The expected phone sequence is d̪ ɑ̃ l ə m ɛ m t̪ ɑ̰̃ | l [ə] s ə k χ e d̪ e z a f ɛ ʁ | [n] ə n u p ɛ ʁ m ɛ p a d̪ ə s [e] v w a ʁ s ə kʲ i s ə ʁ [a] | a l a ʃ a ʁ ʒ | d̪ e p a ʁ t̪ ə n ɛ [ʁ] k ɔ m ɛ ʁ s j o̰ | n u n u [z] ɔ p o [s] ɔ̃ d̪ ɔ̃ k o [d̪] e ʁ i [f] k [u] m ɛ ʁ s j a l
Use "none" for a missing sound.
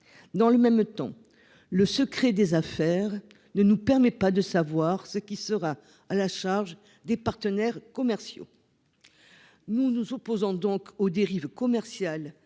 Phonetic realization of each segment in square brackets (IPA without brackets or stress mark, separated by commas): ə, n, a, a, ʁ, z, z, d̪, v, ɔ